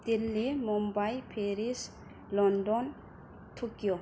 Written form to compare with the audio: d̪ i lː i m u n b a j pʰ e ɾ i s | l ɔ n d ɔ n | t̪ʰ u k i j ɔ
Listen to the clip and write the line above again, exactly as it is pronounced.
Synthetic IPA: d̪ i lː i m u m b a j pʰ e ɾ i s | l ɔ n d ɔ n | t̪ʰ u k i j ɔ